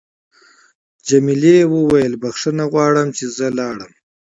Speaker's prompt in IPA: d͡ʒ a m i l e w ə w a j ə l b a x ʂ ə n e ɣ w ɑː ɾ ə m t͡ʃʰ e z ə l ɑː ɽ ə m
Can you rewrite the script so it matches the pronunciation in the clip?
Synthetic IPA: d͡ʒ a m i l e w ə w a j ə l b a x ʂ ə n a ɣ w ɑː ɽ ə m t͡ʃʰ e z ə l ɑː ɽ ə m